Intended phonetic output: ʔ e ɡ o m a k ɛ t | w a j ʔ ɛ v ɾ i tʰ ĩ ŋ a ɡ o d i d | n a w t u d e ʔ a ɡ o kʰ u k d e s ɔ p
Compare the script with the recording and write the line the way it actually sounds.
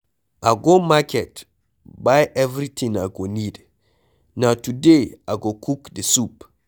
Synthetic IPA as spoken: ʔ a ɡ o m a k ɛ t | b a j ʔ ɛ v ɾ i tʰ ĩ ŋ a ɡ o n i d | n a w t u d e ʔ a ɡ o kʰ u k d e s u p